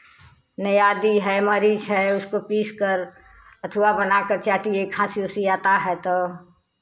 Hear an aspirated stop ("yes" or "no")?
yes